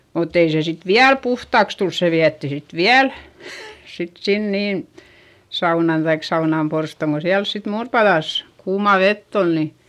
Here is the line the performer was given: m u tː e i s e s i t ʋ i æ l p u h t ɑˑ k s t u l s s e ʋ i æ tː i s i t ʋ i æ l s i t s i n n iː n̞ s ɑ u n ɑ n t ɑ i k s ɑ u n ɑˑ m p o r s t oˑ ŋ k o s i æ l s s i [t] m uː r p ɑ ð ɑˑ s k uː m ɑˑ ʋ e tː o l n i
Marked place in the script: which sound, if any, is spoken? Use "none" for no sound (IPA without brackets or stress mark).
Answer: t